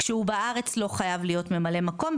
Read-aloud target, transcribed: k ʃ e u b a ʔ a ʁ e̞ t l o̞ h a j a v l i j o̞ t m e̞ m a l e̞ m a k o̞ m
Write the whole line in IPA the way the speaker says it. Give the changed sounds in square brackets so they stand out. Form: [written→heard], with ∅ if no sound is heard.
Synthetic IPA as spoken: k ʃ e u b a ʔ a ʁ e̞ [t→t͡s] l o̞ [h→χ] a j a v l i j o̞ t m e̞ m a l e̞ m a k o̞ m